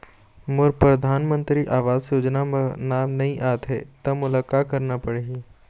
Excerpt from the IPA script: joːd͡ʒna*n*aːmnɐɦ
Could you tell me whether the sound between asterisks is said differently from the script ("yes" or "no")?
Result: no